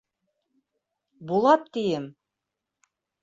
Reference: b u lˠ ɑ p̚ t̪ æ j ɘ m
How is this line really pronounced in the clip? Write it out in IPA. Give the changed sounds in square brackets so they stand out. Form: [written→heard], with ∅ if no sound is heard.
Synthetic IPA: b u lˠ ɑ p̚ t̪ [æ→i] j ɘ m

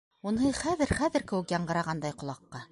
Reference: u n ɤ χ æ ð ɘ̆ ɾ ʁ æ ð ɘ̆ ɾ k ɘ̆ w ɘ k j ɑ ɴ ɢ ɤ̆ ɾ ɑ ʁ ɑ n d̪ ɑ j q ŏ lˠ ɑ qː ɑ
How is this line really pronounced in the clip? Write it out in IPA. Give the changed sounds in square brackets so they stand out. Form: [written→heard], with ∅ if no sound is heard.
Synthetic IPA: u n ɤ χ æ ð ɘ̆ ɾ [ʁ→χ] æ ð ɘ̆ ɾ k ɘ̆ w ɘ k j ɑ ɴ ɢ ɤ̆ ɾ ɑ ʁ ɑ n d̪ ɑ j q ŏ lˠ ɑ qː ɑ

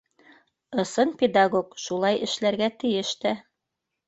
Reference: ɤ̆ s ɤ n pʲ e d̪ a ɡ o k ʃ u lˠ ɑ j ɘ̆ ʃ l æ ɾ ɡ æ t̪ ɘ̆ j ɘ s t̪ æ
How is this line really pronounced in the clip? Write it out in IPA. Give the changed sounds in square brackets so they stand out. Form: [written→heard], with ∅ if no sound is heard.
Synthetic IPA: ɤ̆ s ɤ n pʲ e d̪ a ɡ o k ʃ u lˠ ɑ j ɘ̆ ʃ l æ ɾ ɡ æ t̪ ɘ̆ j ɘ [s→ʃ] t̪ æ

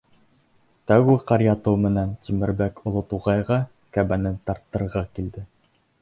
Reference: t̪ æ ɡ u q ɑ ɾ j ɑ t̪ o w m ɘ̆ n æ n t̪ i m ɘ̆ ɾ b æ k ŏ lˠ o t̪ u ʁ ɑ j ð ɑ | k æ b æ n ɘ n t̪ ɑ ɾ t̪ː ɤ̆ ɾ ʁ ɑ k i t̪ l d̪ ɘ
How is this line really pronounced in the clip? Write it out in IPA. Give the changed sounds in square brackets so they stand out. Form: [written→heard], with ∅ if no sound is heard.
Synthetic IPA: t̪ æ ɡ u q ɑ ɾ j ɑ t̪ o w m ɘ̆ n æ n t̪ i m ɘ̆ ɾ b æ k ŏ lˠ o t̪ u ʁ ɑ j [ð→ʁ] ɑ | k æ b æ n ɘ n t̪ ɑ ɾ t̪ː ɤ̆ ɾ ʁ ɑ k i [t̪→∅] l d̪ ɘ

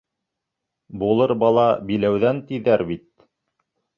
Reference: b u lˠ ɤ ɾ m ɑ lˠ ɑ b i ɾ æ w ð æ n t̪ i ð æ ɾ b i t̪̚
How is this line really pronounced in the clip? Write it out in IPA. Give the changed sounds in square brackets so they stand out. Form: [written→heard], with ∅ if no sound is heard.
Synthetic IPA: b u lˠ ɤ ɾ [m→b] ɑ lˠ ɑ b i [ɾ→l] æ w ð æ n t̪ i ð æ ɾ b i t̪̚

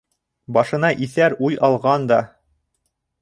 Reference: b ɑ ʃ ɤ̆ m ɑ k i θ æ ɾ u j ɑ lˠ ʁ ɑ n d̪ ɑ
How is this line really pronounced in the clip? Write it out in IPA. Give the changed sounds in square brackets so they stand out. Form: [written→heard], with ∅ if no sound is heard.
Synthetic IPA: b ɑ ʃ ɤ̆ [m→n] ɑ [k→ʔ] i θ æ ɾ u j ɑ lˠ ʁ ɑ n d̪ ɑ

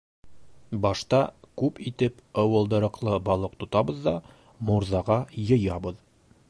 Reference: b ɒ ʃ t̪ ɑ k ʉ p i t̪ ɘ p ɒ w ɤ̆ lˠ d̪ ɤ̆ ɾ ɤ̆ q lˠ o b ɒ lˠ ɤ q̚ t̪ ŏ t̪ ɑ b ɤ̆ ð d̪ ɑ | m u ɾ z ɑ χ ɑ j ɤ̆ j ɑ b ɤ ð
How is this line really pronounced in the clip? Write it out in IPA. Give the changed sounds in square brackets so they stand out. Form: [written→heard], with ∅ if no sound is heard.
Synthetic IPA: b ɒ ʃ t̪ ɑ k ʉ p i t̪ ɘ p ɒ w ɤ̆ lˠ d̪ ɤ̆ ɾ ɤ̆ q lˠ [o→ɤ] b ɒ lˠ ɤ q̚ t̪ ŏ t̪ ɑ b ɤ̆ ð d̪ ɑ | m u ɾ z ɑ [χ→ʁ] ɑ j ɤ̆ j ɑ b ɤ ð

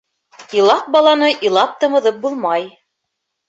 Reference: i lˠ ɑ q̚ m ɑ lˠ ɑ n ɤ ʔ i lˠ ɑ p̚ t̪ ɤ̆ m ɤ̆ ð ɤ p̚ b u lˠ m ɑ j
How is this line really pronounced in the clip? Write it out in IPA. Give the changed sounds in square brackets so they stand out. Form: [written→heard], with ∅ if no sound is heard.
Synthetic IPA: i lˠ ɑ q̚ [m→b] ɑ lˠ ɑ n ɤ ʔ i lˠ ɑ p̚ t̪ ɤ̆ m ɤ̆ ð ɤ p̚ b u lˠ m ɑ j

